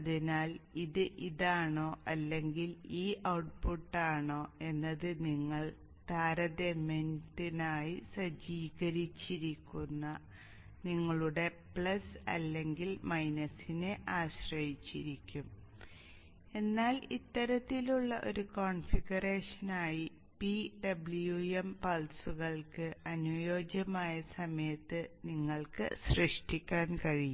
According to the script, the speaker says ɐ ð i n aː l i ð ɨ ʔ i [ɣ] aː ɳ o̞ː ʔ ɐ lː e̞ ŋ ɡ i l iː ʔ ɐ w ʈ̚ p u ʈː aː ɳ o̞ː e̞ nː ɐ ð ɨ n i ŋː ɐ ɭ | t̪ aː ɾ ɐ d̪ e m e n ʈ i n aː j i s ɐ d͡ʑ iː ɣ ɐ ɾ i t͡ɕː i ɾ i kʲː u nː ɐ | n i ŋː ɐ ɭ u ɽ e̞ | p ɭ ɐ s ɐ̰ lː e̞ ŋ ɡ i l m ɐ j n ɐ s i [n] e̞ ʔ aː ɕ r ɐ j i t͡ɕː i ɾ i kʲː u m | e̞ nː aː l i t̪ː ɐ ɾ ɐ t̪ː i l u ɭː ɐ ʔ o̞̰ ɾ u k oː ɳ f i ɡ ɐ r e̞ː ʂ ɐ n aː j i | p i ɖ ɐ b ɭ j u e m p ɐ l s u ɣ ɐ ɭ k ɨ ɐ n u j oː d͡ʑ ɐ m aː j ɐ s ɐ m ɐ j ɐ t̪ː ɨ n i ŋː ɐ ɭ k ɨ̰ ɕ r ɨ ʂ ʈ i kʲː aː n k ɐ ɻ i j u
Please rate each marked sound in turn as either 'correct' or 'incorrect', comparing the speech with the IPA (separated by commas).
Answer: incorrect, correct